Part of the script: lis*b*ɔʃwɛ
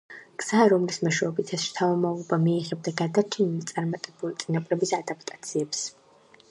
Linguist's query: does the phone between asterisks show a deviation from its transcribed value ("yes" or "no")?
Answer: yes